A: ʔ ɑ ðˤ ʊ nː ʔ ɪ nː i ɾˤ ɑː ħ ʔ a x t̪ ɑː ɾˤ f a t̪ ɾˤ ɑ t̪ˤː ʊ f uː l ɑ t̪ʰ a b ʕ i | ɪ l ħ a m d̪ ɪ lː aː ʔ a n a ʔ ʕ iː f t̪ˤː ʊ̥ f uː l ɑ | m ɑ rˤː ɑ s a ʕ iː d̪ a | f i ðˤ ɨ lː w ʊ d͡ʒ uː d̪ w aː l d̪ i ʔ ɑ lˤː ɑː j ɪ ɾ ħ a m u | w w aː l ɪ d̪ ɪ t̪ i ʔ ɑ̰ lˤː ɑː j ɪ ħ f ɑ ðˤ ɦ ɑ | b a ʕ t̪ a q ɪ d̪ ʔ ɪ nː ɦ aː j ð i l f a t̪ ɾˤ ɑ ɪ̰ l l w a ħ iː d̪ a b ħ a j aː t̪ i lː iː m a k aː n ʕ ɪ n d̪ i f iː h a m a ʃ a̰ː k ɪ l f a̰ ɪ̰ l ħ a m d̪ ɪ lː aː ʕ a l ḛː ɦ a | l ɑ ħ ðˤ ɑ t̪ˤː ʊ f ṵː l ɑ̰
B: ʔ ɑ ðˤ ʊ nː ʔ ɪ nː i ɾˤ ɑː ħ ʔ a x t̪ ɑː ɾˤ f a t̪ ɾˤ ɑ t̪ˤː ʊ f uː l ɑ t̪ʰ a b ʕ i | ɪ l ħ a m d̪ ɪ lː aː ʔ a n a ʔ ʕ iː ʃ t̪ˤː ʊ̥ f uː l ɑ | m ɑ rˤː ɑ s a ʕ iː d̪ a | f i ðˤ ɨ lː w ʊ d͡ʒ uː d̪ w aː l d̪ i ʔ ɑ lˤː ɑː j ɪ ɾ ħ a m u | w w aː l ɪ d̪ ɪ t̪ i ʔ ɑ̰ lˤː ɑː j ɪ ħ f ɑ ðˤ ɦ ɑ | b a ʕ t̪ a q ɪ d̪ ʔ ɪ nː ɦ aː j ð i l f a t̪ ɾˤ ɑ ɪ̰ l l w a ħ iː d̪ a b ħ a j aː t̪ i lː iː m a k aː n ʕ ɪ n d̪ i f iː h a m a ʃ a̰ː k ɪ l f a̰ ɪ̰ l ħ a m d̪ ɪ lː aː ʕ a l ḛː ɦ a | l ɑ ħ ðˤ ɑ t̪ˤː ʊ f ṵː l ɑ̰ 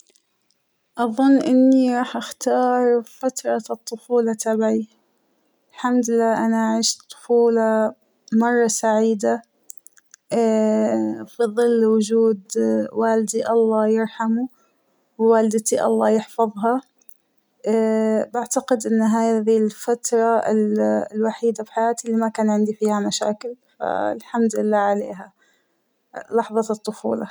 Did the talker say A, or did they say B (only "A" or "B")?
B